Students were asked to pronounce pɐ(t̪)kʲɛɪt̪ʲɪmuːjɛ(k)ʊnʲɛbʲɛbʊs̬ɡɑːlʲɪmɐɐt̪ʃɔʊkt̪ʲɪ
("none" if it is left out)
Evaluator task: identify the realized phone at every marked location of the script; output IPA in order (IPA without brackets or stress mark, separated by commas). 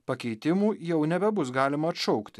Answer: none, none